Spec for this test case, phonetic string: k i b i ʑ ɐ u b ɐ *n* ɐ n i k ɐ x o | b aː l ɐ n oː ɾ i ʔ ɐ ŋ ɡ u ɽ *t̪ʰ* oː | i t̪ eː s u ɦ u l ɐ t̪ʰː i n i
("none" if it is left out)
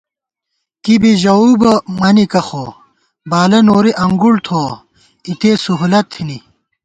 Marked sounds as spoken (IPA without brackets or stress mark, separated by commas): m, t̪ʰ